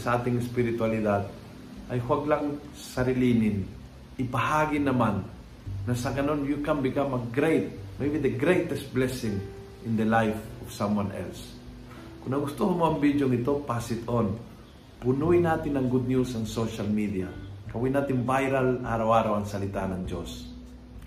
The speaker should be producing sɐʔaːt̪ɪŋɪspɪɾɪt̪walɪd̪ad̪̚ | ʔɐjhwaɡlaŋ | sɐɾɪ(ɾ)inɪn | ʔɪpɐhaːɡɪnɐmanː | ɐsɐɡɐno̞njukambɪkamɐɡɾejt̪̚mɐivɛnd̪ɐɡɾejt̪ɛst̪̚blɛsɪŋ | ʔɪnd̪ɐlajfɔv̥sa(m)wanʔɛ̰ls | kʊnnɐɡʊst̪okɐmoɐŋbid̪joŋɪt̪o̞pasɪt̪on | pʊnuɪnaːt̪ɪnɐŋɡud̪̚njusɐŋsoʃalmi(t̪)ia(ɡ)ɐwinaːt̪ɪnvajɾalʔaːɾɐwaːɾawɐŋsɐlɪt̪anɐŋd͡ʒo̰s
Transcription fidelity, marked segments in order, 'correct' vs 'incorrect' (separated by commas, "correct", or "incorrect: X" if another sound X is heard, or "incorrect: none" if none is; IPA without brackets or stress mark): incorrect: l, correct, incorrect: d̪, incorrect: k